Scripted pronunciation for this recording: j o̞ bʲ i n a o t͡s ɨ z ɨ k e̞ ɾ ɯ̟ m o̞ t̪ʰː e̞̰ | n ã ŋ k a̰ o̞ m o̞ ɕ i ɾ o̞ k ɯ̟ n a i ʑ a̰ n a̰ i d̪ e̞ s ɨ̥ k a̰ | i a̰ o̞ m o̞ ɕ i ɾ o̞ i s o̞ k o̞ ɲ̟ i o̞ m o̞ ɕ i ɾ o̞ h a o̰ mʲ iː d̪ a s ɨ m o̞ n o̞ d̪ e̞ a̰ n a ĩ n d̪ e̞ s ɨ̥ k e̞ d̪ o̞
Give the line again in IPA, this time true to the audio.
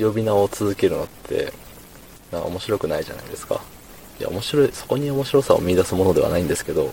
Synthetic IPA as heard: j o̞ bʲ i n a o t͡s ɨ z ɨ k e̞ ɾ ɯ̟ n o̞ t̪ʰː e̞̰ | n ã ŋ k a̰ o̞ m o̞ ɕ i ɾ o̞ k ɯ̟ n a i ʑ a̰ n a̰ i d̪ e̞ s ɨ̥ k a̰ | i a̰ o̞ m o̞ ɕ i ɾ o̞ i s o̞ k o̞ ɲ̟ i o̞ m o̞ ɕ i ɾ o̞ s a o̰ mʲ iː d̪ a s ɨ m o̞ n o̞ d̪ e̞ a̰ n a ĩ n d̪ e̞ s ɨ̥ k e̞ d̪ o̞